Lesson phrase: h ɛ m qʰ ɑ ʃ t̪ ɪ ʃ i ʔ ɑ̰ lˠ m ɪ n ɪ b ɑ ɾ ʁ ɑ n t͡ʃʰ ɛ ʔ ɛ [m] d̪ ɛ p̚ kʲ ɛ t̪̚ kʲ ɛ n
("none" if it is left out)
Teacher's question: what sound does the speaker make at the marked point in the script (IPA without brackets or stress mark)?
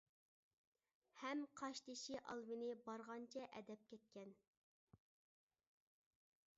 none